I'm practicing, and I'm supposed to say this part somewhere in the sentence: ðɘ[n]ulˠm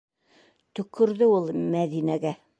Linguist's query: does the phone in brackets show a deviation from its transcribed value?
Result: yes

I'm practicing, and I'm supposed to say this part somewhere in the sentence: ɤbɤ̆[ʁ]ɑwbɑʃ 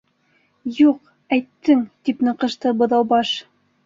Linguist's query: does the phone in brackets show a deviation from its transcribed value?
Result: yes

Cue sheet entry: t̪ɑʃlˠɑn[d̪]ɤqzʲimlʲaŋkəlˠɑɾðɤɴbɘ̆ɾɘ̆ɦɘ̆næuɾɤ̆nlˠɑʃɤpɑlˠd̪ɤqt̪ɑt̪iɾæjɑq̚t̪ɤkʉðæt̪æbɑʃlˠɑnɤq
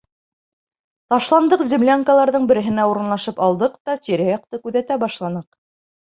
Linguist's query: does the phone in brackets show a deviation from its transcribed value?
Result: no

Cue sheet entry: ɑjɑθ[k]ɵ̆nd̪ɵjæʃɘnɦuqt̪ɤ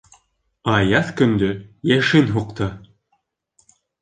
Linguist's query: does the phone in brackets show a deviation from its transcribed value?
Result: no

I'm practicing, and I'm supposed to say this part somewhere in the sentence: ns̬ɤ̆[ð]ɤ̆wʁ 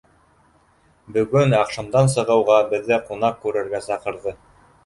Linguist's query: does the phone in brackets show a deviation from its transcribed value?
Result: yes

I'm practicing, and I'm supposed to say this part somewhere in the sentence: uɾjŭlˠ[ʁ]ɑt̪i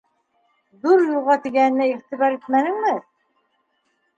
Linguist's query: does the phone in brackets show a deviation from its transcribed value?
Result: no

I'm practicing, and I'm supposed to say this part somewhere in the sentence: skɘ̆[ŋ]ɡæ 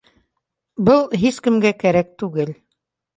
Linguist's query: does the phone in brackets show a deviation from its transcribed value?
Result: yes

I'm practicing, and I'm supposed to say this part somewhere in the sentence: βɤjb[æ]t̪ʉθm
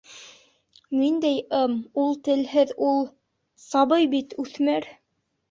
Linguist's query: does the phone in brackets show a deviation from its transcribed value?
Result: yes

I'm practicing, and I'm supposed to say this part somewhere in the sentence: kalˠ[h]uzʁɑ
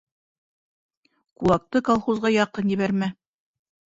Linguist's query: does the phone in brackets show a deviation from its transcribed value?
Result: yes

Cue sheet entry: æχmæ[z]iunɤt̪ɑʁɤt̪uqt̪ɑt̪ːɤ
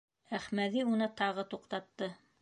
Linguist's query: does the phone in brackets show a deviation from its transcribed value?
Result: yes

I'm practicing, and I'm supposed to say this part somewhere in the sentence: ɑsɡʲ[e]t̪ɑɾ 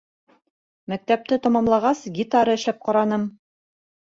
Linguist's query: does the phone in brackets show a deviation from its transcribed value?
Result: yes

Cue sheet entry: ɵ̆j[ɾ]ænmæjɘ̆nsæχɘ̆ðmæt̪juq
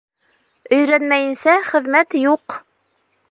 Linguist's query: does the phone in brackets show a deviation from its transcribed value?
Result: no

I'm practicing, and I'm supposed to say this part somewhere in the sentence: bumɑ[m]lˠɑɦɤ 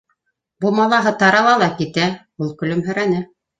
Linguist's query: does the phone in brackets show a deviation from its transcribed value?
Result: yes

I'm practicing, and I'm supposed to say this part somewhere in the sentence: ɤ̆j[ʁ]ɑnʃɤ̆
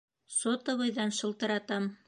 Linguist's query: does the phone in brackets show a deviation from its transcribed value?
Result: yes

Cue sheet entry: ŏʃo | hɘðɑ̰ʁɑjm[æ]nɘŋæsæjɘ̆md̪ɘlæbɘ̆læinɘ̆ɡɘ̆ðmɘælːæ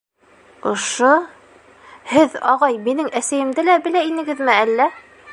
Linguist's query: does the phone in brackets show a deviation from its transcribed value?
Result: yes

